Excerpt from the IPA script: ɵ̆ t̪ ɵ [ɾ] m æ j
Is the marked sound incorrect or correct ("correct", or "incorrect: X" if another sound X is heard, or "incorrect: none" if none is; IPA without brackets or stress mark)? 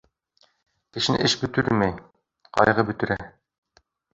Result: correct